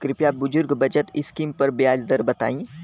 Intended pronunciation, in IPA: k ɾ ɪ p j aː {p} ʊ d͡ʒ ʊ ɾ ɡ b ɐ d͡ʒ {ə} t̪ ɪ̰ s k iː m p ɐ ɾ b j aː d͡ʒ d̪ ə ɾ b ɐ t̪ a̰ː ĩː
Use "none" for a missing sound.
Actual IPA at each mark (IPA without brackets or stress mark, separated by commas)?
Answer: b, ə